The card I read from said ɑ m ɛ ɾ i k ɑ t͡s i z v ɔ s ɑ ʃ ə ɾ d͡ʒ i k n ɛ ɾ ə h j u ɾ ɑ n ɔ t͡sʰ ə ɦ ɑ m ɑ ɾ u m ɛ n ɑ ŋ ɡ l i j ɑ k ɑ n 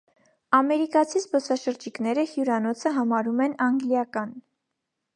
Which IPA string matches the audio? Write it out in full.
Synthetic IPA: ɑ m ɛ ɾ i k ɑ t͡sʰ i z b ɔ s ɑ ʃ ə ɾ d͡ʒ i k n ɛ ɾ ə h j u ɾ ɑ n ɔ t͡sʰ ə ɦ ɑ m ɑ ɾ u m ɛ n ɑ ŋ ɡ l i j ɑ k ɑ n